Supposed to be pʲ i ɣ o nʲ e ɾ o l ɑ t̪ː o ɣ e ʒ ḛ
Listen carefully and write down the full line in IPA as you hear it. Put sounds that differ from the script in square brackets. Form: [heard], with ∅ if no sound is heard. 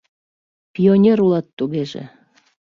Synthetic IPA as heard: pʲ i [∅] o nʲ e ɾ [u] l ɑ t̪ː [u] ɣ e ʒ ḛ